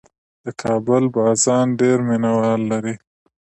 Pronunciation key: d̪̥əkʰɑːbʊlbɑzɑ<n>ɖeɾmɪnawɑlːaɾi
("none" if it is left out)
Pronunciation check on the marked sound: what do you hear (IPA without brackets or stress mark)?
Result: n